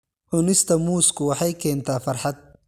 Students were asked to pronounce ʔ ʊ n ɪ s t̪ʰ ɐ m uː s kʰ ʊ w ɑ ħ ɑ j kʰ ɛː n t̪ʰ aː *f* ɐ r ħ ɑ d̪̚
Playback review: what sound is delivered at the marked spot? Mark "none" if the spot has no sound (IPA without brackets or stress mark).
f